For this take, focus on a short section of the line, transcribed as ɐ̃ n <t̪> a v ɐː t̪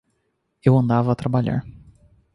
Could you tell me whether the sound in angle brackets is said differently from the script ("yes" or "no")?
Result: yes